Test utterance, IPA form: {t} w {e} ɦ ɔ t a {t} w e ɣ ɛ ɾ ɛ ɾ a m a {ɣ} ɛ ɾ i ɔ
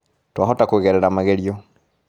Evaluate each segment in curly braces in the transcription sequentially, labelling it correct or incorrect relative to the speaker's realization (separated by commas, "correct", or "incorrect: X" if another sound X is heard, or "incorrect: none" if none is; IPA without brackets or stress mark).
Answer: correct, incorrect: a, incorrect: k, correct